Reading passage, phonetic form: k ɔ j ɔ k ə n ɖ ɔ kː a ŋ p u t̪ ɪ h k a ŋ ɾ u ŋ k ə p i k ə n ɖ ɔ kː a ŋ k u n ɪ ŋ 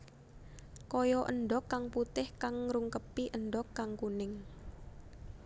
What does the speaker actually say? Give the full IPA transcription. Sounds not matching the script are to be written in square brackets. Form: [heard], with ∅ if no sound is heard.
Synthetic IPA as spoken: k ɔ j ɔ [ʔ] ə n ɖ ɔ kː a ŋ p u t̪ ɪ h k a ŋ ɾ u ŋ k ə p i [ʔ] ə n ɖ ɔ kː a ŋ k u n ɪ ŋ

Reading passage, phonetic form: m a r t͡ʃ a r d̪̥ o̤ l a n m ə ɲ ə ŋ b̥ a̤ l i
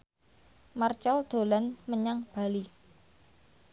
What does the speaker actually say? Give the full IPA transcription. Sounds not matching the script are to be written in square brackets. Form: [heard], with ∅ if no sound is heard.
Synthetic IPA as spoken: m a r t͡ʃ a [l] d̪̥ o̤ l a n m ə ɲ [a] ŋ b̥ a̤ l i

